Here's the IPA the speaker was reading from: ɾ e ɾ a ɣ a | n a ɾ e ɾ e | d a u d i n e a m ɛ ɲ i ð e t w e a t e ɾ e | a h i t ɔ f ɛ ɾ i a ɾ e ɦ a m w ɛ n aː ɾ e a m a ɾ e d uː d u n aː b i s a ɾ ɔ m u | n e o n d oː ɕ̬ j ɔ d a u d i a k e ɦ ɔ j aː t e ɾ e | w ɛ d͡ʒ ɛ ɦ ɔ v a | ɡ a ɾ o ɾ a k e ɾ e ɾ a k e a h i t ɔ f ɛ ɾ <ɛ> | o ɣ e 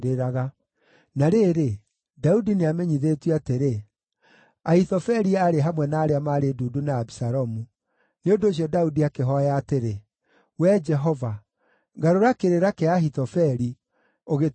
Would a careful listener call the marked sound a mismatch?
yes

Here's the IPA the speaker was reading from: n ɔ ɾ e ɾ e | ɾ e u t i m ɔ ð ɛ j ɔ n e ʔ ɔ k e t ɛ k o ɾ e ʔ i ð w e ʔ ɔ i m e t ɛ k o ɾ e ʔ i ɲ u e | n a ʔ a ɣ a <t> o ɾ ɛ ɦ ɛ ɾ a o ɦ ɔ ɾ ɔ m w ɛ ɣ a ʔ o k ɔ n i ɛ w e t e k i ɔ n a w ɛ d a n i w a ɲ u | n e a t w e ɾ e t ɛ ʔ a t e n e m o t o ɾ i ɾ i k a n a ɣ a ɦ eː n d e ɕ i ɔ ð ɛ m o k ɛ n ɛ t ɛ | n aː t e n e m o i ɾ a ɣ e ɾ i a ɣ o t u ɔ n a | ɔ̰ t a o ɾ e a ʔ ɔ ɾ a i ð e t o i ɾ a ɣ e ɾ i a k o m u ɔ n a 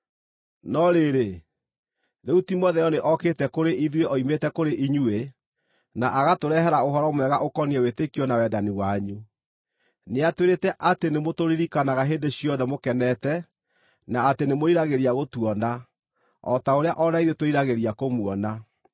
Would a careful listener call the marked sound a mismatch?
no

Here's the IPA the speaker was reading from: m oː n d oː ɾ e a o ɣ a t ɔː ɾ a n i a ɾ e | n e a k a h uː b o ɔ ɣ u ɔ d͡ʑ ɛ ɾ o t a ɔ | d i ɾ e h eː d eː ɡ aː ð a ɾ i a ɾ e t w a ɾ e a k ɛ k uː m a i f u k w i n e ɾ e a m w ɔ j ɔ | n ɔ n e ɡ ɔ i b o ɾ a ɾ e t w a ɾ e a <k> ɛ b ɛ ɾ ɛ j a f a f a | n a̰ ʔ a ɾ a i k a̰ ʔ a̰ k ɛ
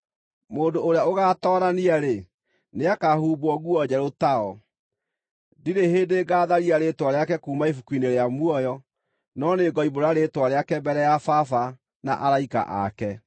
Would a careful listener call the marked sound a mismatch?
no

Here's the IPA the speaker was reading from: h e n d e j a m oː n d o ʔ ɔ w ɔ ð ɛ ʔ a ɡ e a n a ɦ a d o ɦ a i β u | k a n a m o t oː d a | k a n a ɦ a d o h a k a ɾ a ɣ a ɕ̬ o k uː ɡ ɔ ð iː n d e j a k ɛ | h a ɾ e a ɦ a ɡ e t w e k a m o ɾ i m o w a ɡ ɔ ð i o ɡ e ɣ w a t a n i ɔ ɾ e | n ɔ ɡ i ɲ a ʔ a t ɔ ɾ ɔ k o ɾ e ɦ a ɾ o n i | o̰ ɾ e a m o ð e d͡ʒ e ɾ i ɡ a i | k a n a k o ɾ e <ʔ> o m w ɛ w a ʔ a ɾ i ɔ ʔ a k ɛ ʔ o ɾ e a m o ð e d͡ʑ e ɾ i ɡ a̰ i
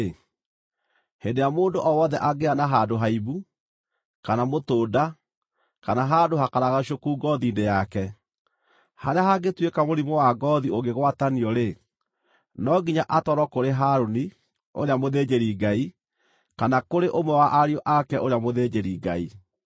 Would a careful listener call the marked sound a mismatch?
no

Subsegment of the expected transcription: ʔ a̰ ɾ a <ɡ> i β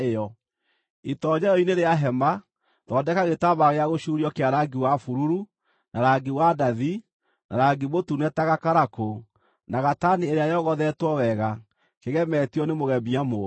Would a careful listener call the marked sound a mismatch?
no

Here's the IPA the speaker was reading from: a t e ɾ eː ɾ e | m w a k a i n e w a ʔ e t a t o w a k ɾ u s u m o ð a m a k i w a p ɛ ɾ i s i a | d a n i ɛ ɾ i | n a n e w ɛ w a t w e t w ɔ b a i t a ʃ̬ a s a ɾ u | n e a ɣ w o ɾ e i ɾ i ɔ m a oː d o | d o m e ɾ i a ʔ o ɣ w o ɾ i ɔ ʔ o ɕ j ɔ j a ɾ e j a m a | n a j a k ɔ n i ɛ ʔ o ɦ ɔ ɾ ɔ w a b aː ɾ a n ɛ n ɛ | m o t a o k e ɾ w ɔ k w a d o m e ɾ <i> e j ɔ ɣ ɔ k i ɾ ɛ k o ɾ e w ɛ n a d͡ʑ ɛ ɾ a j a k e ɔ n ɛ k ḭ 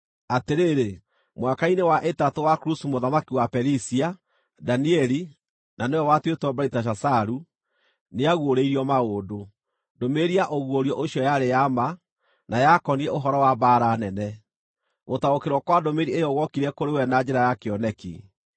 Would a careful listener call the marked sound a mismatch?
no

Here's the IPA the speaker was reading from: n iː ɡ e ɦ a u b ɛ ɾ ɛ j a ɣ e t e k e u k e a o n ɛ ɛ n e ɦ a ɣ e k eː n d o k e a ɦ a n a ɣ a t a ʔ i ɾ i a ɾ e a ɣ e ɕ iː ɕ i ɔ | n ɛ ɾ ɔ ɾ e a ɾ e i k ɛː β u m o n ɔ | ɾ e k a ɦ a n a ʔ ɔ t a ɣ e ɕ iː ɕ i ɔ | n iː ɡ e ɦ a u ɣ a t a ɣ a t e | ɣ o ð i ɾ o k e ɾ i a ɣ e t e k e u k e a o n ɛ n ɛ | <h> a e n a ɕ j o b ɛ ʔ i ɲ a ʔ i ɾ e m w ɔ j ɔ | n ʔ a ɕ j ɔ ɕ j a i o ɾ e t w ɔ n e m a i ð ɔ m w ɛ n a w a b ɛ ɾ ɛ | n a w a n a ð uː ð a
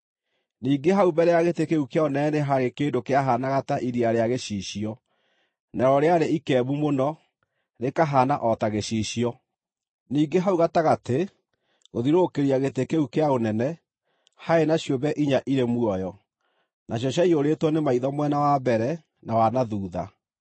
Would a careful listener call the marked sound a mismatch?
no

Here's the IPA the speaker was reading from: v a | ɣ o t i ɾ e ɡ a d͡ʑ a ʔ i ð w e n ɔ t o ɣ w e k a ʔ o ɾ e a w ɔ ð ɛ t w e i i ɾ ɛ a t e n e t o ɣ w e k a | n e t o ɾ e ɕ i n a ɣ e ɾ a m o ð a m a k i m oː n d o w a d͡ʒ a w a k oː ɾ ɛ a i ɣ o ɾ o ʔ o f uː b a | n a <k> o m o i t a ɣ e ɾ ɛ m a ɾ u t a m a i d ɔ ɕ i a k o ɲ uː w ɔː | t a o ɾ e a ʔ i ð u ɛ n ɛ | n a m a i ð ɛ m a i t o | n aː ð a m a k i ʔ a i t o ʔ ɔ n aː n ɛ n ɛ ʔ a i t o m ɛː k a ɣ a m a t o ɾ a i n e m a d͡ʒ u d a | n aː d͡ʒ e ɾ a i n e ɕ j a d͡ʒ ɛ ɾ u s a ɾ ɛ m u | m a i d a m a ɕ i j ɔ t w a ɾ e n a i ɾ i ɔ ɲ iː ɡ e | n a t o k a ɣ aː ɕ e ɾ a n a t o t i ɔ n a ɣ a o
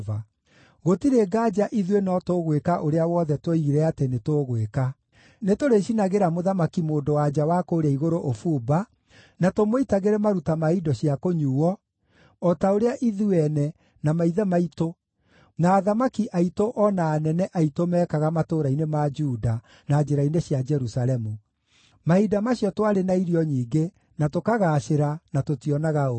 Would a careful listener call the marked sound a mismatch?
yes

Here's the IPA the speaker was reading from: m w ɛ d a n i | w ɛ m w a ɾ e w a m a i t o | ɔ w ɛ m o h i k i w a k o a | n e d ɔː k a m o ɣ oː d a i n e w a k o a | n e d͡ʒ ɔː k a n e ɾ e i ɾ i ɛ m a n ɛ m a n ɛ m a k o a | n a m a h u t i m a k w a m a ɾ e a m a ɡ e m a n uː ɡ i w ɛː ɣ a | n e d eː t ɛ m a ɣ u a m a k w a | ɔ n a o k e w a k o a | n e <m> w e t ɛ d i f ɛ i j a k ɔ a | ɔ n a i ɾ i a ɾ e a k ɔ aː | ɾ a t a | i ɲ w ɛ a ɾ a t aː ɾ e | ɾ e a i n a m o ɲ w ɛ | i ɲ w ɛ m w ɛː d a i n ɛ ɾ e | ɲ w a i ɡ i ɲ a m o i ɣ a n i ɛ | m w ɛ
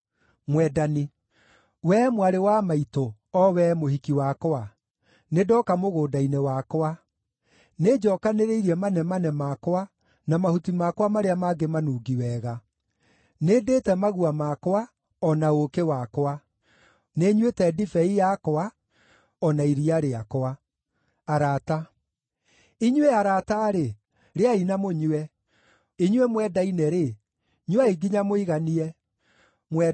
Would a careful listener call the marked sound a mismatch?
yes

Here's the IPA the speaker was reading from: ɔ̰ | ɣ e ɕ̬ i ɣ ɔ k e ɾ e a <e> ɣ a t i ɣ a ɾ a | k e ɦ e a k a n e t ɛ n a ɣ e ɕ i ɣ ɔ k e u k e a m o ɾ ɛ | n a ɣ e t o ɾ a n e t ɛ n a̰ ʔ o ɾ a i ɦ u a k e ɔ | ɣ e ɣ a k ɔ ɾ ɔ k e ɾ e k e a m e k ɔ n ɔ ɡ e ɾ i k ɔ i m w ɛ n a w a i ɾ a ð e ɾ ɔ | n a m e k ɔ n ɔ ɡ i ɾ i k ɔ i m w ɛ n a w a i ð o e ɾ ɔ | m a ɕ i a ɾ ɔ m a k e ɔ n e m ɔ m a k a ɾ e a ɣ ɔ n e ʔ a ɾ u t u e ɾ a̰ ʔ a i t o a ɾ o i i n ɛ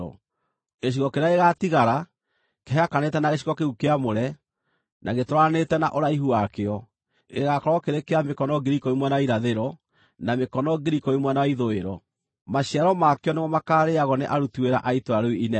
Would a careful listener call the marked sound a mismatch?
no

